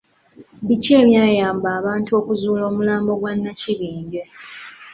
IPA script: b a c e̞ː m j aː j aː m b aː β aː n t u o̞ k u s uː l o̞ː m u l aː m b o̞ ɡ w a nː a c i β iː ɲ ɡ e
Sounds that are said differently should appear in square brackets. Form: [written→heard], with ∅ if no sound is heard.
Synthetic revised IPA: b [a→i] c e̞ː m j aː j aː m b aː β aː n t u o̞ k u [s→z] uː l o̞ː m u l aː m b o̞ ɡ w a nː a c i β iː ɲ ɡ e